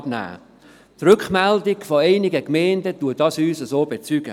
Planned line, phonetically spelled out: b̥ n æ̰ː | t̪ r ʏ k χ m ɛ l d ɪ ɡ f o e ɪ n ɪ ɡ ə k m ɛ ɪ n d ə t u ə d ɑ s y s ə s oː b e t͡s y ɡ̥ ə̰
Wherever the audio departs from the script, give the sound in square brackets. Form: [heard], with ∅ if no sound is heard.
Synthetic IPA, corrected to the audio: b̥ n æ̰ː | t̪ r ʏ k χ m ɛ l d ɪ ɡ f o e ɪ n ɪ ɡ ə k m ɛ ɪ n d ə t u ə d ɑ s [yː] s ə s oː b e t͡s y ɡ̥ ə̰

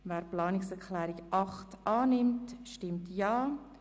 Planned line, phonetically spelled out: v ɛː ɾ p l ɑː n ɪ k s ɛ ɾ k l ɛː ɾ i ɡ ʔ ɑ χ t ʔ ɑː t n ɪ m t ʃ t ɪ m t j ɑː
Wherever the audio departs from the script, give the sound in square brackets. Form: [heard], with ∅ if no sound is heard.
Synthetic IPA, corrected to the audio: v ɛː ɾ p l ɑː n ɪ k s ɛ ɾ k l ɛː ɾ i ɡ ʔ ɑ χ t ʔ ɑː [∅] n ɪ m t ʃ t ɪ m t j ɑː

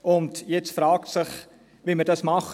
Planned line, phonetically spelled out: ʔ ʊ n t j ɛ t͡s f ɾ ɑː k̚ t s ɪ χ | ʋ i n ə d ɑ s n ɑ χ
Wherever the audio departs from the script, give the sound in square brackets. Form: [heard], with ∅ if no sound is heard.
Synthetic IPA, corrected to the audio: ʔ ʊ n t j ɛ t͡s f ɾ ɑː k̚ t s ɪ χ | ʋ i [m] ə d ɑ s [m] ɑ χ

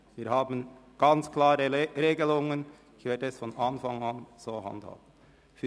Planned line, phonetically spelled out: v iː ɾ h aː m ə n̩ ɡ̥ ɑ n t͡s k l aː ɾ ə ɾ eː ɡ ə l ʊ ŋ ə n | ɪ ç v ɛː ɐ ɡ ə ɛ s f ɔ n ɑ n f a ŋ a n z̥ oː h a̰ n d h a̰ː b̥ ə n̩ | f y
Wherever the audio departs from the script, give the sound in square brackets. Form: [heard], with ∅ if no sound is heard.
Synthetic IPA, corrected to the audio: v iː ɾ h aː [b] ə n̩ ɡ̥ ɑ n t͡s k l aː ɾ ə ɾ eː ɡ ə l ʊ ŋ ə n | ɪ ç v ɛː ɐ [d] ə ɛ s f ɔ n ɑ n f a ŋ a n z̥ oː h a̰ n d h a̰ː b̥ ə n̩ | f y

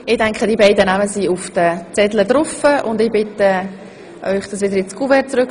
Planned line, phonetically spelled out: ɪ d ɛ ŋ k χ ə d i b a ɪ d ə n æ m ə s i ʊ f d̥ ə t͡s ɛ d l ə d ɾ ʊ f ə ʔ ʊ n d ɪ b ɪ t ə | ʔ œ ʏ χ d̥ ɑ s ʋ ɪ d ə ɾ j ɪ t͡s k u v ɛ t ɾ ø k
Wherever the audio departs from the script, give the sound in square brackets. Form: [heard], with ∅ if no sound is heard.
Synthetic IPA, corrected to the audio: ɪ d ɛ ŋ k χ ə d i b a ɪ d ə n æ m ə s i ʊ f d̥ ə t͡s ɛ d l ə d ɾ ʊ f ə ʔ ʊ n d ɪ b ɪ t ə | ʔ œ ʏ χ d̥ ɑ s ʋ ɪ d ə ɾ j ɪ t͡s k u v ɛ [t͡s] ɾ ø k

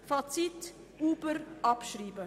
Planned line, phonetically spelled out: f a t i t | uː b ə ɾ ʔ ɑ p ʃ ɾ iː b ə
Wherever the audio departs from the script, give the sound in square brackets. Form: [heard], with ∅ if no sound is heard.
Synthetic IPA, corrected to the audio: f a [t͡s] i t | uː b ə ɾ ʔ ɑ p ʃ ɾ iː b ə

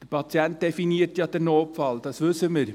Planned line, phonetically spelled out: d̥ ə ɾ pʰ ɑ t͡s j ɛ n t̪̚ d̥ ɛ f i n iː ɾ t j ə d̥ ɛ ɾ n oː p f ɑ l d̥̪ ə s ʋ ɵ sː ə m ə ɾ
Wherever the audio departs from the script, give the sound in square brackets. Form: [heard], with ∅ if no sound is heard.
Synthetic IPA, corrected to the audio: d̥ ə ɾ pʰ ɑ t͡s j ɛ n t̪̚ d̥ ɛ f i n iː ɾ t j [ɑ] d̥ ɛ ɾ n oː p f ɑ l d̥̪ [ɑ] s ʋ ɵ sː ə m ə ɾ

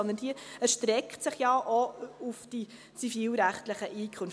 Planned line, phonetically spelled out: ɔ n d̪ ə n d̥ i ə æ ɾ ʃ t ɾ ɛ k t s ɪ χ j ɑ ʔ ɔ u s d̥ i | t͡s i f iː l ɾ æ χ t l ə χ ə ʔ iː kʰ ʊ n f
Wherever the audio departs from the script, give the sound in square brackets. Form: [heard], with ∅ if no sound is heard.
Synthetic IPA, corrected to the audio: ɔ n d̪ ə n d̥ i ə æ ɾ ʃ t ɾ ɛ k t s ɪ χ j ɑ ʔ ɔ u [f] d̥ i | t͡s i f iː l ɾ æ χ t l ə χ ə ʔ iː kʰ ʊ n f

